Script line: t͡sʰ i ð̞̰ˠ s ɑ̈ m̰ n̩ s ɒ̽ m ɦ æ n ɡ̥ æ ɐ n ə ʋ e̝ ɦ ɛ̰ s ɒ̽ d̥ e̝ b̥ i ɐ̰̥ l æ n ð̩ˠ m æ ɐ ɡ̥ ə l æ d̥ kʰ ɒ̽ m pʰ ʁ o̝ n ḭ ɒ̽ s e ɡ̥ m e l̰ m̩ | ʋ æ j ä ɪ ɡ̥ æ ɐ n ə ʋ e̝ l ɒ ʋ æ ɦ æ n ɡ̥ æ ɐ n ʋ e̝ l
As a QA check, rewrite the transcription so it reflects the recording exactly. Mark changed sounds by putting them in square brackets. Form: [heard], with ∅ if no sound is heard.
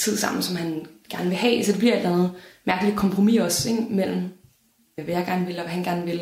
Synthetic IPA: t͡sʰ i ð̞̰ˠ s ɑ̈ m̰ n̩ s ɒ̽ m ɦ æ n ɡ̥ æ ɐ n ə ʋ e̝ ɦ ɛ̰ s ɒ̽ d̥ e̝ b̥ i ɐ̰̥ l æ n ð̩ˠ m æ ɐ ɡ̥ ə l [i] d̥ kʰ ɒ̽ m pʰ ʁ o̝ [m] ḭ ɒ̽ s e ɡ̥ m e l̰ m̩ | ʋ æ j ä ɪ ɡ̥ æ ɐ n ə ʋ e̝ l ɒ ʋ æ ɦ æ n ɡ̥ æ ɐ n ʋ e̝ l